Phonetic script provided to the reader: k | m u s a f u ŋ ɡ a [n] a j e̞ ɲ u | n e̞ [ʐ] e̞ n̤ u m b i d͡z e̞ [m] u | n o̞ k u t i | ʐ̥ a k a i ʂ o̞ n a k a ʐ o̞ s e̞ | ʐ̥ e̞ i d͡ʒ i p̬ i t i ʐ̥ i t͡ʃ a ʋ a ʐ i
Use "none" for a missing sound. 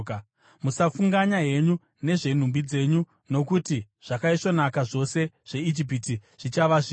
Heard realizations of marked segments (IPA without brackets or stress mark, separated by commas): ɲ, ʐ, ɲ